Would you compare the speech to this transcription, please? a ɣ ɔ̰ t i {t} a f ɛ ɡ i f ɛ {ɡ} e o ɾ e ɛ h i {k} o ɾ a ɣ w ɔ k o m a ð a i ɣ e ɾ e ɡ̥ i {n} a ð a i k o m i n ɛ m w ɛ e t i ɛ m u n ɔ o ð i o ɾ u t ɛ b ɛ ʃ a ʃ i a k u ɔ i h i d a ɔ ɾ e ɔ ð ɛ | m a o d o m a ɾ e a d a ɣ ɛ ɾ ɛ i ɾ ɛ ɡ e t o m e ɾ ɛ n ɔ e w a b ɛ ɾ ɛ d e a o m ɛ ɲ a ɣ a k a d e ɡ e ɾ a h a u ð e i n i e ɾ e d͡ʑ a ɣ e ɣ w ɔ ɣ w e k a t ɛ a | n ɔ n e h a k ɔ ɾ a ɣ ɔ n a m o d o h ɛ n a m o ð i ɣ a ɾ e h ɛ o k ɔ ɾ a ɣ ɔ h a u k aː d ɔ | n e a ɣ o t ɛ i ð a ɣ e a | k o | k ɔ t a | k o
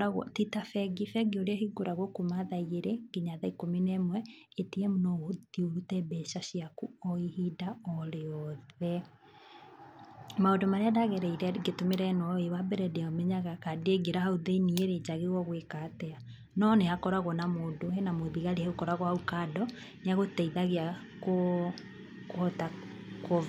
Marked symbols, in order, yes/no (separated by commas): yes, yes, no, no